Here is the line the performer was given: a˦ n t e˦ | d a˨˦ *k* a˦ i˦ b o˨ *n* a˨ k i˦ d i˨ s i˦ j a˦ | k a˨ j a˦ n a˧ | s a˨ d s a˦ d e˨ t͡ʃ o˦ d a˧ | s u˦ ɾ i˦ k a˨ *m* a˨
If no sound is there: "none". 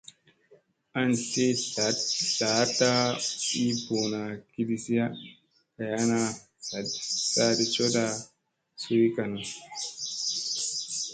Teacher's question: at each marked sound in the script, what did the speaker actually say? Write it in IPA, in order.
t, n, n

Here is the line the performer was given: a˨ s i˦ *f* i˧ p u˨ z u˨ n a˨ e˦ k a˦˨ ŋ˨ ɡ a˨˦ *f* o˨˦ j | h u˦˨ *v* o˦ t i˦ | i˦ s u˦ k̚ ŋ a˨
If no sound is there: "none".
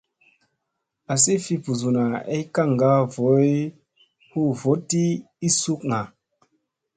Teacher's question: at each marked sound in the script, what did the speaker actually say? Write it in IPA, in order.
f, v, v

